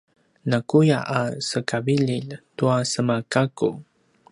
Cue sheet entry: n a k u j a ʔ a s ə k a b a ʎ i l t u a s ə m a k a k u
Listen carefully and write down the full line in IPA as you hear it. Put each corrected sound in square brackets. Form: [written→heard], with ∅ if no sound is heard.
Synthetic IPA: n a k u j a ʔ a s ə k a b [a→i] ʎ i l t u a s ə m a k a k u